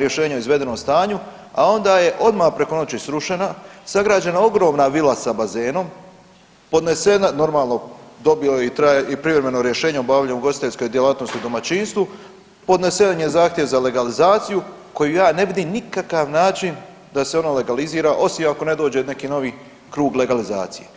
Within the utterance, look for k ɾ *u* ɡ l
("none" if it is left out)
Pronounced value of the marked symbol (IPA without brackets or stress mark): uː